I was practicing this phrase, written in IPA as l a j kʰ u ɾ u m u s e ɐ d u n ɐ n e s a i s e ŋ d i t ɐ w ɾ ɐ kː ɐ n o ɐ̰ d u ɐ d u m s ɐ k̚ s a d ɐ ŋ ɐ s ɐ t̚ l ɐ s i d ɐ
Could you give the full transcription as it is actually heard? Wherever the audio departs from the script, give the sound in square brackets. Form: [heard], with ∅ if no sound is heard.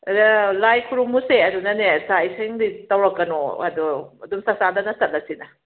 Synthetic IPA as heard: l a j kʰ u ɾ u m u s e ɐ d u n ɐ n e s a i s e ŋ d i t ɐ w ɾ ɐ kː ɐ n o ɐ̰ d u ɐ d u m s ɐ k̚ s a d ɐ [n] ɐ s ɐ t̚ l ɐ s i [n] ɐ